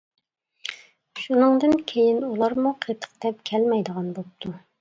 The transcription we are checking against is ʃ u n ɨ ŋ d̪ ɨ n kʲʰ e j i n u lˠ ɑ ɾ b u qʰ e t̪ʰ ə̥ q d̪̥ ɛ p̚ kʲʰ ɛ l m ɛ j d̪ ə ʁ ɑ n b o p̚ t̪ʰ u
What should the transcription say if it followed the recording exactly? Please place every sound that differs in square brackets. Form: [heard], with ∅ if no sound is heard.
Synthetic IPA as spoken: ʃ u n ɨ ŋ d̪ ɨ n kʲʰ e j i n u lˠ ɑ ɾ [m] u qʰ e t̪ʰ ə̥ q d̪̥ ɛ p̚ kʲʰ ɛ l m ɛ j d̪ ə ʁ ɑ n b o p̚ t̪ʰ u